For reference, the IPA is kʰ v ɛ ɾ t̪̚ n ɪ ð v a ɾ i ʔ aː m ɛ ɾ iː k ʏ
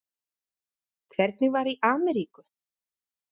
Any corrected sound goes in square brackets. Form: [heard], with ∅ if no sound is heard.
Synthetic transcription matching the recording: kʰ v ɛ ɾ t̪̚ n ɪ [ɣ] v a ɾ i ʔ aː m ɛ ɾ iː k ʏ